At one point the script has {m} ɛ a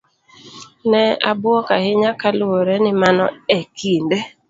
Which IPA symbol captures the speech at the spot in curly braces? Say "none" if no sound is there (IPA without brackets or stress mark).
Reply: n